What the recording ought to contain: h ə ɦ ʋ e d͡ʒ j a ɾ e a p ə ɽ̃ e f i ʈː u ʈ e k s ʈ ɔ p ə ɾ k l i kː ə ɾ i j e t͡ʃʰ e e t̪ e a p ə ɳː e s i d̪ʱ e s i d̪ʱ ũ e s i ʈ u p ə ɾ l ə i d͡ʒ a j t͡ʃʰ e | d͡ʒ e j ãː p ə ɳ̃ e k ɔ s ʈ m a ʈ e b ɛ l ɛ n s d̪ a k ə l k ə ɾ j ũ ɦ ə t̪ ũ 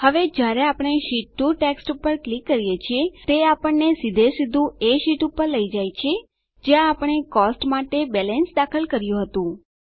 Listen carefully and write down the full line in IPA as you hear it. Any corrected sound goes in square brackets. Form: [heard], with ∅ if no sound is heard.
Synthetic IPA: h ə [∅] ʋ e d͡ʒ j a ɾ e a p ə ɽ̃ e [ʃ] i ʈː u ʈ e k s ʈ [u] p ə ɾ k l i kː ə ɾ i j e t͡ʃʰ [i] e t̪ e a p ə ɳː e s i d̪ʱ e s i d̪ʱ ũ e [ʃ] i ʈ u p ə ɾ l ə i d͡ʒ a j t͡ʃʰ e | d͡ʒ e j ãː p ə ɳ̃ e k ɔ s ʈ m a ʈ e b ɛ l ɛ n s d̪ a [kʰ] ə l k ə ɾ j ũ ɦ ə t̪ ũ

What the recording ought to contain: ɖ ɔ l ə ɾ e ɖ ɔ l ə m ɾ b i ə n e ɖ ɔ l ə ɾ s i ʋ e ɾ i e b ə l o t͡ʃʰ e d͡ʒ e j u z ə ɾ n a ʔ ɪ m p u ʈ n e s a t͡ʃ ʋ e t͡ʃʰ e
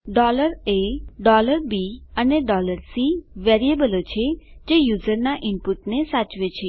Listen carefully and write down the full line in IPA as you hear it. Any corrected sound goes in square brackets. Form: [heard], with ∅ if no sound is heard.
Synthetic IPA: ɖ ɔ l ə ɾ e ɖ ɔ l ə [∅] ɾ b i ə n e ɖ ɔ l ə ɾ s i ʋ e ɾ i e b ə l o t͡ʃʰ e d͡ʒ e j u z ə ɾ n a ʔ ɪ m p u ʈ n e s a t͡ʃ ʋ e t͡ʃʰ e

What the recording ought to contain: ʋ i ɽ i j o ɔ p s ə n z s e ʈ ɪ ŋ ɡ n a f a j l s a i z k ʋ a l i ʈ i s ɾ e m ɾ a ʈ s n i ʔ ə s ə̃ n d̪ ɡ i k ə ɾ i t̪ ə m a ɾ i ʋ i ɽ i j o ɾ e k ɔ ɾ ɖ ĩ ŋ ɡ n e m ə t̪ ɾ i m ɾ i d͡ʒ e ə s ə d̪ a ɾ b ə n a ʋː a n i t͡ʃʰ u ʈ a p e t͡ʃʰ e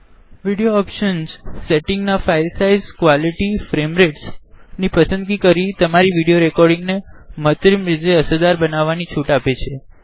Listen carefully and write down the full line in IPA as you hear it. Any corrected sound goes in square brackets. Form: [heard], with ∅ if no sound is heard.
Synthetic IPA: ʋ i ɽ i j o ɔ p [ʃ] ə n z s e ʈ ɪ ŋ ɡ n a f a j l s a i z k ʋ a l i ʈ i [f] ɾ e m ɾ [e] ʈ s n i [p] ə s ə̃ n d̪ ɡ i k ə ɾ i t̪ ə m a ɾ i ʋ i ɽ i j o ɾ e k ɔ ɾ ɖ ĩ ŋ ɡ n e m ə t̪ ɾ i m ɾ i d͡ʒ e ə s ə d̪ a ɾ b ə n a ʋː a n i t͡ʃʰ u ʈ a p e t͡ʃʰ e

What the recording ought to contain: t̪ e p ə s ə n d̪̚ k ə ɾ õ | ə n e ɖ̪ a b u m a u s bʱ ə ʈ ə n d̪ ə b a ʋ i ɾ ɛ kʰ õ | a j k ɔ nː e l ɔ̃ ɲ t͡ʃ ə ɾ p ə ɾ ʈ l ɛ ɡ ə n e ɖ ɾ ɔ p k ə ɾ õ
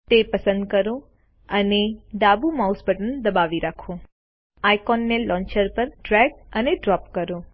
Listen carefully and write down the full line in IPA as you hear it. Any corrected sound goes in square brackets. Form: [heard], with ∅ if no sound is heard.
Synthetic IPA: t̪ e p ə s ə n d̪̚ k ə ɾ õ | ə n e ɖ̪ a b u m a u s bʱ ə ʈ ə n d̪ ə b a ʋ i ɾ [a] kʰ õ | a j k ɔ nː e l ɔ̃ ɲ t͡ʃ ə ɾ p ə ɾ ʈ [ɾ] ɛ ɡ ə n e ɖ ɾ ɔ p k ə ɾ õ

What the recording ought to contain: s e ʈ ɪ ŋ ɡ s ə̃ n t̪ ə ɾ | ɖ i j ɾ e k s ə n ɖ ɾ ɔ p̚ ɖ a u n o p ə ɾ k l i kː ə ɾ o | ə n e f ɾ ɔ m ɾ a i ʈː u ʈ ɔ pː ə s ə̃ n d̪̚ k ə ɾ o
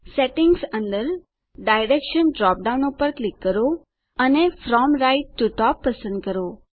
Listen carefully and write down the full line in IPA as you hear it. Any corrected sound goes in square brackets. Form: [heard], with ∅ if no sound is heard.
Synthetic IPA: s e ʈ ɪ ŋ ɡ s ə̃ n [d̪] ə ɾ | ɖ [a] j ɾ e k [ʃ] ə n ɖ ɾ ɔ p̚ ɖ a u n o p ə ɾ k l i kː ə ɾ o | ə n e f ɾ ɔ m ɾ a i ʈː u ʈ ɔ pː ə s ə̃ n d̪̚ k ə ɾ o

